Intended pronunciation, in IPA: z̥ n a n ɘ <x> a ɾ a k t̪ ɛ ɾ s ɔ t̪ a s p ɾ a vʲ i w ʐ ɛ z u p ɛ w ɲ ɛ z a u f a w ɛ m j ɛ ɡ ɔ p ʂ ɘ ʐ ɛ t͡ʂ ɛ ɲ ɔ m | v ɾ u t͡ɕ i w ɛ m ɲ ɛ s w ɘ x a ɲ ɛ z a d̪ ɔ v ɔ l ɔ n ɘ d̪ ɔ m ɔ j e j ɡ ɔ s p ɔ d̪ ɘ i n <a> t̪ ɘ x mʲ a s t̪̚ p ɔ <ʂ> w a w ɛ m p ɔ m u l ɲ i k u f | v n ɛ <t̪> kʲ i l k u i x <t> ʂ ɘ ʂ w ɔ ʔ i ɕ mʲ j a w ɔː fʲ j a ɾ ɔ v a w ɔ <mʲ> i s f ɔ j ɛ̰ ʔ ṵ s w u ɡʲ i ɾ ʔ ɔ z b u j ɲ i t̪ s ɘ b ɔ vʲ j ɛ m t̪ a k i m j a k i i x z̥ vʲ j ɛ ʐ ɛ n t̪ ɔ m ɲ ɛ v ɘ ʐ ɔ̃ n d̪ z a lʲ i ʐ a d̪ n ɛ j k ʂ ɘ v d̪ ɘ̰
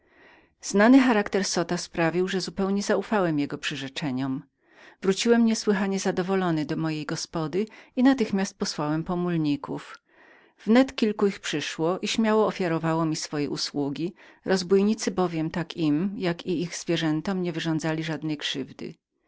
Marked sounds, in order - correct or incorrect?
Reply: correct, correct, incorrect: s, correct, incorrect: p, correct

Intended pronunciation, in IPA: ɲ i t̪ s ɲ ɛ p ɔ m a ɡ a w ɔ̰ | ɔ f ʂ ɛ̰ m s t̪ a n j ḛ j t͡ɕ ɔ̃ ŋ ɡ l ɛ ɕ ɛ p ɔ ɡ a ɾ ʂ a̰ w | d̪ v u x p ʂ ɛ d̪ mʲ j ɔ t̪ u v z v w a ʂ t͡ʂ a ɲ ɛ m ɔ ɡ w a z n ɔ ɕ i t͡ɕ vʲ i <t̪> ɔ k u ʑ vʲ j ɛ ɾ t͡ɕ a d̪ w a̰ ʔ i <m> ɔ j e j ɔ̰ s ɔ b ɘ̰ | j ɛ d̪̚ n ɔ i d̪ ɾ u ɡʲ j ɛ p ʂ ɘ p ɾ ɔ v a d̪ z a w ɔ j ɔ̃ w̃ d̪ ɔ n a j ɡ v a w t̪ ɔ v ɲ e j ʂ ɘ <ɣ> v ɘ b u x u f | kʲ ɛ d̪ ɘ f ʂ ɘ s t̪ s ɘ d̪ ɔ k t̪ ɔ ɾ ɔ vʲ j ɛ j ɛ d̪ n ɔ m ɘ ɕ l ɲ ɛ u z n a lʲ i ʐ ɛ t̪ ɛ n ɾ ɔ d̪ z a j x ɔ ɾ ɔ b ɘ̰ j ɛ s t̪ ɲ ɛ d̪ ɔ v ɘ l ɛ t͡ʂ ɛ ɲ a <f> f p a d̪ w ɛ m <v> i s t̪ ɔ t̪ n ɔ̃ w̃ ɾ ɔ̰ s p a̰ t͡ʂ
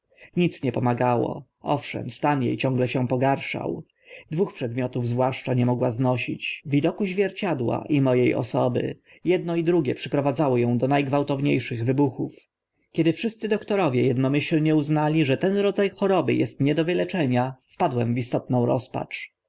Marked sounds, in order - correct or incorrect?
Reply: incorrect: d̪, correct, correct, correct, correct

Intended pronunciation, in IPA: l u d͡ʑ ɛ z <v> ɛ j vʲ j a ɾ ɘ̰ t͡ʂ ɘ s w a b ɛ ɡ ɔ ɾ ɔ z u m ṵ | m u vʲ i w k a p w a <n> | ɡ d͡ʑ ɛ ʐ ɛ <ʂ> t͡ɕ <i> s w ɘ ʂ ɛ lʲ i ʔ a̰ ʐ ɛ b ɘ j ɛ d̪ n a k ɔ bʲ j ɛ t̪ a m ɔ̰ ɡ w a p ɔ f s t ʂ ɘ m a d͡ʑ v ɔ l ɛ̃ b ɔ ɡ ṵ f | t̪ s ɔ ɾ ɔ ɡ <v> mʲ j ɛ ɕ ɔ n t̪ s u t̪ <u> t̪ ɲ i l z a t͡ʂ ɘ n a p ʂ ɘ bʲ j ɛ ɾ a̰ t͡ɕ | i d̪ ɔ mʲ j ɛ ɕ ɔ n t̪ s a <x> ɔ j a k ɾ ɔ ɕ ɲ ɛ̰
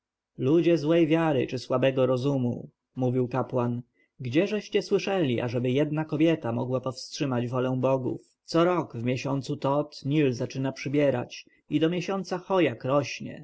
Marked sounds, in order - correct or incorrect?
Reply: incorrect: w, correct, incorrect: ɕ, incorrect: ɛ, correct, incorrect: ɔ, correct

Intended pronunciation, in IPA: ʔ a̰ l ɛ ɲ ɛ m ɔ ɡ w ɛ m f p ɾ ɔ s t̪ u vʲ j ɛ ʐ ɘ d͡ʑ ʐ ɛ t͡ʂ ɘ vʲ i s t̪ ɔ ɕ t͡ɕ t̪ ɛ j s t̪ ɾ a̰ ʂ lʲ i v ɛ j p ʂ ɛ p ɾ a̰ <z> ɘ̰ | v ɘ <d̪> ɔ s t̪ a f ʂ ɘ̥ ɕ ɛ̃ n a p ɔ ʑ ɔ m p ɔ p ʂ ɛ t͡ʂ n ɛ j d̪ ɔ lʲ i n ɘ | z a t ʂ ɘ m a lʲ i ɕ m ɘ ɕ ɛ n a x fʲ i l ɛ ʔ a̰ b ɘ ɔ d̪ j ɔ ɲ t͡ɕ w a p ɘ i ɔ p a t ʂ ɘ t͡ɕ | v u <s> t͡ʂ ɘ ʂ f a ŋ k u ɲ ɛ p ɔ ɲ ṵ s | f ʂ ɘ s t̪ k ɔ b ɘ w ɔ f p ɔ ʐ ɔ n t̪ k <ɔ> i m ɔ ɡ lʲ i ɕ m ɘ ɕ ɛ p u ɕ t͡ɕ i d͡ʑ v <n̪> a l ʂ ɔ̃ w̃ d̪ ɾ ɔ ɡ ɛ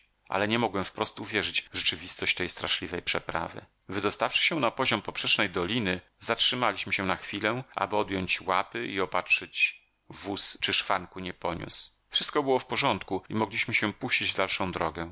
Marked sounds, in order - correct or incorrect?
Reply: incorrect: v, correct, correct, incorrect: u, incorrect: d̪

